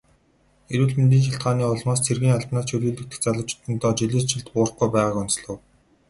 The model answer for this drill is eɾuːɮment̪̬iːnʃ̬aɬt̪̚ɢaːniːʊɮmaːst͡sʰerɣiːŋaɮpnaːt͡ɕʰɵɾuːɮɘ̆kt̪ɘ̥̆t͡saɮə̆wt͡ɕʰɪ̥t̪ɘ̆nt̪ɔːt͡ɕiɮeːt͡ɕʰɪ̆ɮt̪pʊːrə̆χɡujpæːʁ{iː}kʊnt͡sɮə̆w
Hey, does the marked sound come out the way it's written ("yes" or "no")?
no